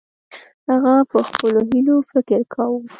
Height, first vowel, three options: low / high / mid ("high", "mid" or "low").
low